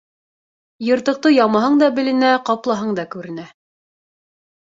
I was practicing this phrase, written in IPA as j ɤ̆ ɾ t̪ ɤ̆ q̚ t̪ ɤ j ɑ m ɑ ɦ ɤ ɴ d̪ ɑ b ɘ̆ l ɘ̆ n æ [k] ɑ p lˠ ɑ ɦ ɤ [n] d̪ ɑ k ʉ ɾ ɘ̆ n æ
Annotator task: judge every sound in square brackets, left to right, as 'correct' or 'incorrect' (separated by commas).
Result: incorrect, incorrect